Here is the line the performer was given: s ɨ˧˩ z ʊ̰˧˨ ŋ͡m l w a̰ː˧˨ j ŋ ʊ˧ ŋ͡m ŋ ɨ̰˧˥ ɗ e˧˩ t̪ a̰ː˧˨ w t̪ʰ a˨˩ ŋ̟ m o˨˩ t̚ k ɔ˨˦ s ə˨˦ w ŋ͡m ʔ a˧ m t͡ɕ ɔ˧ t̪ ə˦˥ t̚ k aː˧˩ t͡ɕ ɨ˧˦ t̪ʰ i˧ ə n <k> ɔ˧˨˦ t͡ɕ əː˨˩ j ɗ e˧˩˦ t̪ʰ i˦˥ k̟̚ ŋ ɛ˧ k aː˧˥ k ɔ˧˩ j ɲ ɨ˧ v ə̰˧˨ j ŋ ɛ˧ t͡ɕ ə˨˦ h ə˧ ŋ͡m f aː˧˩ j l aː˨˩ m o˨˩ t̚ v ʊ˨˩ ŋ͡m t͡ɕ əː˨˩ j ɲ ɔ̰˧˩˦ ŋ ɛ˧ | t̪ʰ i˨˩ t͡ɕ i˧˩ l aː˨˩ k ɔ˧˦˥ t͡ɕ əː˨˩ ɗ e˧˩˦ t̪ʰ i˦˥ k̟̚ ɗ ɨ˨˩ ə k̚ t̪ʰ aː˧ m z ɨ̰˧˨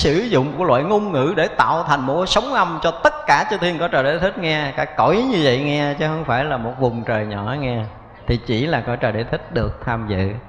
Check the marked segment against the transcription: correct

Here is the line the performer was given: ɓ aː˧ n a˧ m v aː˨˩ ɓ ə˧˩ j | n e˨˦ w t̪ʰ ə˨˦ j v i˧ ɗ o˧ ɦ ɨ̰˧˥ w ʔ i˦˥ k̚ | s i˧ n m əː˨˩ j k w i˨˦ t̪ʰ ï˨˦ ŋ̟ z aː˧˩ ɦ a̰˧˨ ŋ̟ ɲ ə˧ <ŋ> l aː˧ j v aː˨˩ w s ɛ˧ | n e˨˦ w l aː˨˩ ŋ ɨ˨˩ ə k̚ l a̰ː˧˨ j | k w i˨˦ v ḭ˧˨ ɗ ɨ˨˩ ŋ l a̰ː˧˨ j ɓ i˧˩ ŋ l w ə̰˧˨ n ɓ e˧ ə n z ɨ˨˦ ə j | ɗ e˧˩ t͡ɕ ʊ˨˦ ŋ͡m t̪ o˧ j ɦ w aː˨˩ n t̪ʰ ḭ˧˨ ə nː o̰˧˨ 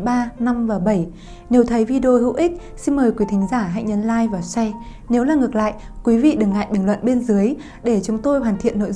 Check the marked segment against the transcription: incorrect: n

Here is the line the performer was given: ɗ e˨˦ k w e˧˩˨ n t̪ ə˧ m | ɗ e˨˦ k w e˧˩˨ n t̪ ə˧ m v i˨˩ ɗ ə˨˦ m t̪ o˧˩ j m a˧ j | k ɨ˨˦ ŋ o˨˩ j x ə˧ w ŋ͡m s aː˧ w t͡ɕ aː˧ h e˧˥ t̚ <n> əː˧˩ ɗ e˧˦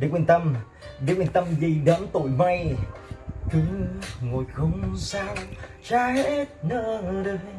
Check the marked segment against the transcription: correct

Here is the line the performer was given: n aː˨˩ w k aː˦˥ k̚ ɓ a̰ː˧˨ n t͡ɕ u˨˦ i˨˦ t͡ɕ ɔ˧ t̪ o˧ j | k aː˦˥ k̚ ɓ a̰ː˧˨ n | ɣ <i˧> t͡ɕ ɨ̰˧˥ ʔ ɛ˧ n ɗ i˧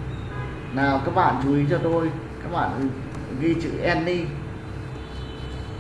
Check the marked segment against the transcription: correct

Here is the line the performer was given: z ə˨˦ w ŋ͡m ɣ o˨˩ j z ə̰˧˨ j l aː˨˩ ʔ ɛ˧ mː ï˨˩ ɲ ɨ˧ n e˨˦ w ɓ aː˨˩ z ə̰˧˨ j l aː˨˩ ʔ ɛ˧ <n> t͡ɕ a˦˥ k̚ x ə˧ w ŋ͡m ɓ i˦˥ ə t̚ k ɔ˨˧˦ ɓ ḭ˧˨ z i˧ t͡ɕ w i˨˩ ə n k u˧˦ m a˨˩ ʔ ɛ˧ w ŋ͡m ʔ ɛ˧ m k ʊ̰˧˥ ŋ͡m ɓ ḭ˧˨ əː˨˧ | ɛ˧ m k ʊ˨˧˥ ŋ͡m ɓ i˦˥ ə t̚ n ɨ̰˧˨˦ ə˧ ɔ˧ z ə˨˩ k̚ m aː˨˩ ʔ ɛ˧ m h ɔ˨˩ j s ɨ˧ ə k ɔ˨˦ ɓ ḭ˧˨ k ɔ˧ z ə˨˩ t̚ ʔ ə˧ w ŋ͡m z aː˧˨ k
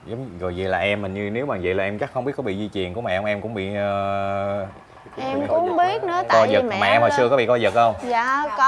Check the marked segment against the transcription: incorrect: m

